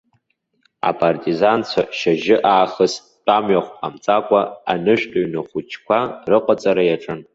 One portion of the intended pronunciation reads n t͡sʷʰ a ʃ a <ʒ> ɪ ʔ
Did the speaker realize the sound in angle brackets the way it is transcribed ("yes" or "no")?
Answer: yes